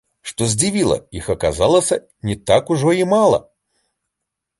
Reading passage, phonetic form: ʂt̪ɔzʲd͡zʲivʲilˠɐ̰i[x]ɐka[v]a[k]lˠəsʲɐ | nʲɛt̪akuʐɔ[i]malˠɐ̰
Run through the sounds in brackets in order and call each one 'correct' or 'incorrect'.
correct, incorrect: z, incorrect: none, correct

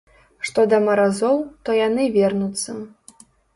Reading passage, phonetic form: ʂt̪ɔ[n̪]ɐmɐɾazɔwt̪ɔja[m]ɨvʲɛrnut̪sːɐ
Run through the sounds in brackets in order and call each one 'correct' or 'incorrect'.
incorrect: d̪, incorrect: n

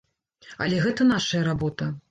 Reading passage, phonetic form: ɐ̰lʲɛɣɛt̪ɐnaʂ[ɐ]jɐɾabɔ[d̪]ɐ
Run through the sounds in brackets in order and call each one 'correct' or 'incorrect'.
correct, incorrect: t̪

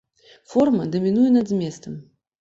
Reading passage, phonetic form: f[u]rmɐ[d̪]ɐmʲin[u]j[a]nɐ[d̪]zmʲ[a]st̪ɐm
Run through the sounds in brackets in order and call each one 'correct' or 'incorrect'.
incorrect: ɔ, correct, correct, incorrect: ɛ, correct, incorrect: ɛ

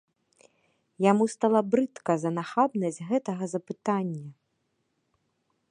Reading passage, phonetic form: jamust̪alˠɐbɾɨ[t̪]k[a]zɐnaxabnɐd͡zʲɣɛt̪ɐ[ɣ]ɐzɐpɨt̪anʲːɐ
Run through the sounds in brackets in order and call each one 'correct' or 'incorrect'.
correct, incorrect: ɐ, correct

